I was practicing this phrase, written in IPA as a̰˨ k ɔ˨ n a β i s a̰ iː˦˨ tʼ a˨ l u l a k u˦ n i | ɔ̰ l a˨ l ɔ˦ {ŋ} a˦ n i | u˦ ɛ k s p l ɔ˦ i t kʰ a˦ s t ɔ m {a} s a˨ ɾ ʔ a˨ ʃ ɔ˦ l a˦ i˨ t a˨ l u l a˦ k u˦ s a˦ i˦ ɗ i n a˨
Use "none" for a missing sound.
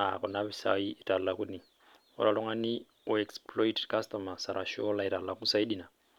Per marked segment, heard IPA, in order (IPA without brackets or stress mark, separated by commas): ŋ, a